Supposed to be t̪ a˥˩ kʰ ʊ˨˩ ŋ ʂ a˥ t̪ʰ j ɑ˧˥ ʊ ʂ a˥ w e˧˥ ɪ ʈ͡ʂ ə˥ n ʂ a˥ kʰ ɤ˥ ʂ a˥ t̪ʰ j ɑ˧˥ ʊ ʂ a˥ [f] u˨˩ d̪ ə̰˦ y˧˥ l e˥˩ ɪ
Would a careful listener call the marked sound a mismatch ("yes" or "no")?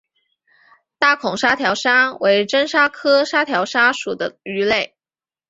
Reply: yes